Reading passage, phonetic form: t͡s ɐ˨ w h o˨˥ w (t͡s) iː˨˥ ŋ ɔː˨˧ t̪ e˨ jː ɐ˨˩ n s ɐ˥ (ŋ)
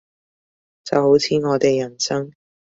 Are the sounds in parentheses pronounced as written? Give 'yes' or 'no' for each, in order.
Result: no, yes

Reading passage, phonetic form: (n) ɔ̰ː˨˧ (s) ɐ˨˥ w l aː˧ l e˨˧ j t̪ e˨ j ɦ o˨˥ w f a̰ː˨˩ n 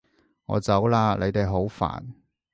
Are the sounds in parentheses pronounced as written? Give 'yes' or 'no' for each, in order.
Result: no, no

